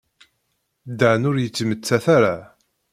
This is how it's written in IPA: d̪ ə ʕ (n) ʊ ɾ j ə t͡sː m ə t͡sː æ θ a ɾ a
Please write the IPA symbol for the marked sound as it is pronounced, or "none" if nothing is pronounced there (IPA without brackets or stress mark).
n